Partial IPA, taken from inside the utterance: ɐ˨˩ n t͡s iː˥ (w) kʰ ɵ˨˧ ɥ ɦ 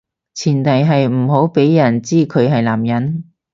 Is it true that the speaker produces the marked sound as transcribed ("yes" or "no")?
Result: no